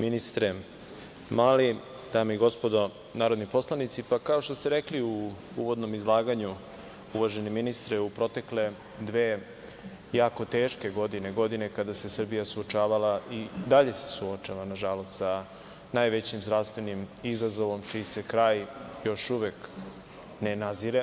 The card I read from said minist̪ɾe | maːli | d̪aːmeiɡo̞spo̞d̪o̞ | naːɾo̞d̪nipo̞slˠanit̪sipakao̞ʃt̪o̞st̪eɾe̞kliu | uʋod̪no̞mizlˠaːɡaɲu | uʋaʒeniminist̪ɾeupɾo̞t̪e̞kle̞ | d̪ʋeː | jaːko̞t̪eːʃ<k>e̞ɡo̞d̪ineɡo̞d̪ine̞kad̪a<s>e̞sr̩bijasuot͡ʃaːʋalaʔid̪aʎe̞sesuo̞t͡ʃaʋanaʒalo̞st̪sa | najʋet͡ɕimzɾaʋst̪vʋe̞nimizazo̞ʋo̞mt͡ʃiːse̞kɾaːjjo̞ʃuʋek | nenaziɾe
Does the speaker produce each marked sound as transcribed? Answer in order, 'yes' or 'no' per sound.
yes, yes

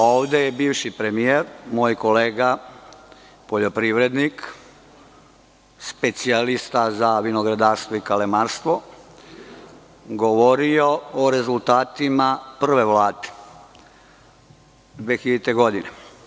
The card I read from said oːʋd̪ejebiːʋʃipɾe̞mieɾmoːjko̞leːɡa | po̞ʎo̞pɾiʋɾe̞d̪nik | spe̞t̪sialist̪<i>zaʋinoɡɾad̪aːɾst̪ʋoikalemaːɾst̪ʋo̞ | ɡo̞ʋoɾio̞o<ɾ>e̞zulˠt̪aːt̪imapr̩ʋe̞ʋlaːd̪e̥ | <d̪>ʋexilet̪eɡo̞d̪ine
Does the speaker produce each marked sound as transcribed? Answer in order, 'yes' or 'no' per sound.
no, yes, yes

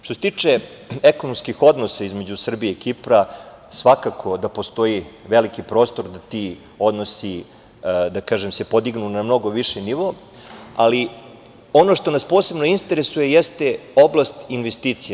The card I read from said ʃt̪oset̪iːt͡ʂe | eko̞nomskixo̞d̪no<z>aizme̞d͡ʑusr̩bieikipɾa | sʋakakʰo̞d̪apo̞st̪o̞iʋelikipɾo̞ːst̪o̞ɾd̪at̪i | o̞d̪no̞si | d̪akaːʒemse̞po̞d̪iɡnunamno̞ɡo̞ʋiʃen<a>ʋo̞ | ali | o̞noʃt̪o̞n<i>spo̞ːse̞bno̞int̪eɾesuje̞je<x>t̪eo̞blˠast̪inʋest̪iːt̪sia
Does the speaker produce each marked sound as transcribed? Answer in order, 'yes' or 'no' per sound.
no, no, no, no

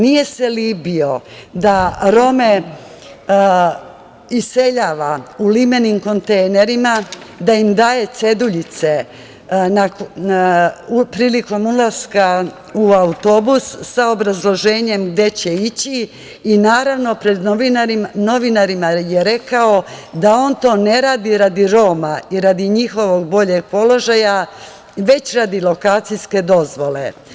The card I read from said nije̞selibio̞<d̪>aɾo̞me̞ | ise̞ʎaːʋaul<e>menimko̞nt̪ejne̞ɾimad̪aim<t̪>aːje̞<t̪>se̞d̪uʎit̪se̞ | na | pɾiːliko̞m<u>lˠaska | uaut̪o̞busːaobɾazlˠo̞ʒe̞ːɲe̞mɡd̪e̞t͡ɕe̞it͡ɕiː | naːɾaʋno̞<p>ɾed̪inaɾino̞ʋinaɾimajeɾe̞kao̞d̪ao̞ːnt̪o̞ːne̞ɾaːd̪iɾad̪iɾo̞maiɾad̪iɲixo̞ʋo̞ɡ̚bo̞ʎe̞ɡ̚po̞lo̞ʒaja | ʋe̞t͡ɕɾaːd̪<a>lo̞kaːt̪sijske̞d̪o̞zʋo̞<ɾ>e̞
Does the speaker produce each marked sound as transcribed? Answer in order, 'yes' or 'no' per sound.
yes, no, no, yes, yes, yes, no, no

